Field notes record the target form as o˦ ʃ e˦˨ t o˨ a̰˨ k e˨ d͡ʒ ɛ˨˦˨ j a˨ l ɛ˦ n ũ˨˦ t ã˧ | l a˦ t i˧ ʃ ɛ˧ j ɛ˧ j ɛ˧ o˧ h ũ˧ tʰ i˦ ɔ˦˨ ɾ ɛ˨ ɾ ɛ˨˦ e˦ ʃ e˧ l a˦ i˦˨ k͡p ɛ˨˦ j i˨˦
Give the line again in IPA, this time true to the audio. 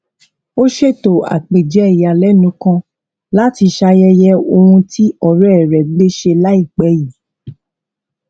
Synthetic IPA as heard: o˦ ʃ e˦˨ t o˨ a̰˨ k͡p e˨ d͡ʒ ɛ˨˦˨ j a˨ l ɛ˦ n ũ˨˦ k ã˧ | l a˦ t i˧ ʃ a˧ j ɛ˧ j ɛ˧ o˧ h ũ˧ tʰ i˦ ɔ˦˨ ɾ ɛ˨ ɾ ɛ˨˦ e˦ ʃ e˧ l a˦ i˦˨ k͡p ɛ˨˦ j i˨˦

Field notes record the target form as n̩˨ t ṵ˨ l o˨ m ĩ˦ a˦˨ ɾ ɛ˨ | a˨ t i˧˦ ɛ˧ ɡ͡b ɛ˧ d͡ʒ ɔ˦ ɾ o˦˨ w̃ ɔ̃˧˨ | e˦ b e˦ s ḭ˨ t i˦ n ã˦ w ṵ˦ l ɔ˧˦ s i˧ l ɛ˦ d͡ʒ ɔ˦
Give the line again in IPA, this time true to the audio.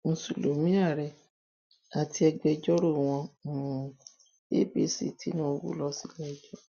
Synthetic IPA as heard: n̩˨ s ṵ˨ l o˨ m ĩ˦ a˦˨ ɾ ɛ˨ | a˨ t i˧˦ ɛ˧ ɡ͡b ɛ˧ d͡ʒ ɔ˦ ɾ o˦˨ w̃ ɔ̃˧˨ | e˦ b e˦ s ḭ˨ t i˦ n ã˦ w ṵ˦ l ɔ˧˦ s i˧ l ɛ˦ d͡ʒ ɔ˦

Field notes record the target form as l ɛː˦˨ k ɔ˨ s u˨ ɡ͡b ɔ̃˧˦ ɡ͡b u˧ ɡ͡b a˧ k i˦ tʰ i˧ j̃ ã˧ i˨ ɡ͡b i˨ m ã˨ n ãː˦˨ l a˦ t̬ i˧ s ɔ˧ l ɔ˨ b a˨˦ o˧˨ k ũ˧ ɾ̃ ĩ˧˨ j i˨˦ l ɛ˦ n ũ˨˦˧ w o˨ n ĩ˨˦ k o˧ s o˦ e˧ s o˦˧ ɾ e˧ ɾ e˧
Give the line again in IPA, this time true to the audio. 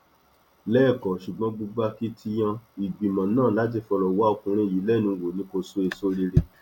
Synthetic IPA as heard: l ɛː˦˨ k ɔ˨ ʃ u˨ ɡ͡b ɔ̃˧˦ ɡ͡b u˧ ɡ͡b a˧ k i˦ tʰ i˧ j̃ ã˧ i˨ ɡ͡b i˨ m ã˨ n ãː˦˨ l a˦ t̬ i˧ f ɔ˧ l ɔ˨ w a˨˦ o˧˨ k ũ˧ ɾ̃ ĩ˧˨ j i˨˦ l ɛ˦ n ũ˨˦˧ w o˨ n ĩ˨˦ k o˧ s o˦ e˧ s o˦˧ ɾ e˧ ɾ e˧

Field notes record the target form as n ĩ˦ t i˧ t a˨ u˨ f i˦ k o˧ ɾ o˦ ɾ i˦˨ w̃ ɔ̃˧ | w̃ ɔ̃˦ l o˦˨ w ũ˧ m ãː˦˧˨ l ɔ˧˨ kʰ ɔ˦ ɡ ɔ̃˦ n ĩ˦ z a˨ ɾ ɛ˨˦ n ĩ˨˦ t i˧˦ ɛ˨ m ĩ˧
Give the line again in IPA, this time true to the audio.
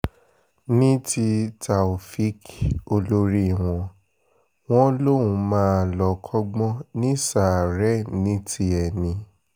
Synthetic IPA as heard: n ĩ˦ t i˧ t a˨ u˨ f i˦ k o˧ l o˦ ɾ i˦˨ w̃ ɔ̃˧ | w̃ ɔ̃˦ l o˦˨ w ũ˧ m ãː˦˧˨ l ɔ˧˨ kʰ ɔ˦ ɡ͡b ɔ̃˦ n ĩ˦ s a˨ ɾ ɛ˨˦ n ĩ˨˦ t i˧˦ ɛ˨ n ĩ˧

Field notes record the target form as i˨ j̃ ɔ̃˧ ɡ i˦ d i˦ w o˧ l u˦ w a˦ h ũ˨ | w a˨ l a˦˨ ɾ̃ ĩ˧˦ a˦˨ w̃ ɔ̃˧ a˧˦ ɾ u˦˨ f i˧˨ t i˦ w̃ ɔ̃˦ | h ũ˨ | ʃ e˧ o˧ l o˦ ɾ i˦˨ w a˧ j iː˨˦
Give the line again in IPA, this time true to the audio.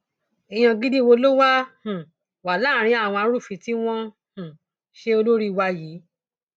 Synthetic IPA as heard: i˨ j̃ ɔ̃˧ ɡ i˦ d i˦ w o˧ l o˦ w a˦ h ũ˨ | w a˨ l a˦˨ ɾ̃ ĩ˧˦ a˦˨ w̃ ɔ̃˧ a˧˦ ɾ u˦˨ f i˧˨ t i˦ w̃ ɔ̃˦ | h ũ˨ | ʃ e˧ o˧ l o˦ ɾ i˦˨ w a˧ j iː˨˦

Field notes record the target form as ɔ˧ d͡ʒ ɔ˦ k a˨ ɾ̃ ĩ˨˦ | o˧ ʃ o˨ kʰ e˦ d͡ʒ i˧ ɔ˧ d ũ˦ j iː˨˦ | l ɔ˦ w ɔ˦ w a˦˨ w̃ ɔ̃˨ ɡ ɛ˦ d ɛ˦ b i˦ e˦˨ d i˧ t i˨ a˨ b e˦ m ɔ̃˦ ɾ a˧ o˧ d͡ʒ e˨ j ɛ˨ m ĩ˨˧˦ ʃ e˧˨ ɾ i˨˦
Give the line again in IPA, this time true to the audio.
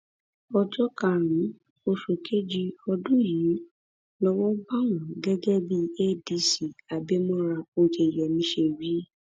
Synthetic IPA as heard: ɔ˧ d͡ʒ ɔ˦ k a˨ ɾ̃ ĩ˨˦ | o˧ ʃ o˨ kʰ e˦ d͡ʒ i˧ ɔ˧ d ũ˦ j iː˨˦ | l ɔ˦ w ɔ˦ b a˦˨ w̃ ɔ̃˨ ɡ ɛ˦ ɡ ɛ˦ b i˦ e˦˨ d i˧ s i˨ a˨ b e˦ m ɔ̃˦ ɾ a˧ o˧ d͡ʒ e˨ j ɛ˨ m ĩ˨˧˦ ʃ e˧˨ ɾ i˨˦

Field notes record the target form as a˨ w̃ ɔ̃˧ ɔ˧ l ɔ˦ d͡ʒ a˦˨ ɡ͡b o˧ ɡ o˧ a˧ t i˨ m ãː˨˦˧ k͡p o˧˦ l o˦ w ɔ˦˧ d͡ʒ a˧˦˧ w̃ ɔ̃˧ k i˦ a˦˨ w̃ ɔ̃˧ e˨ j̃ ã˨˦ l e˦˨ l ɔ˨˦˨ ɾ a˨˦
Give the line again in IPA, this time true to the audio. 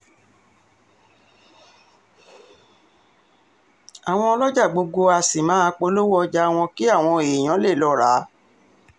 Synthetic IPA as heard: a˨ w̃ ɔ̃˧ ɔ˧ l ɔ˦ d͡ʒ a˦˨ ɡ͡b o˧ ɡ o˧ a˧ s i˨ m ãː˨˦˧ k͡p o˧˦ l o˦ w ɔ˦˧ d͡ʒ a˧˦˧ w̃ ɔ̃˧ k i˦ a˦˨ w̃ ɔ̃˧ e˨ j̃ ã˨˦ l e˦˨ l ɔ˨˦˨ ɾ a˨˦

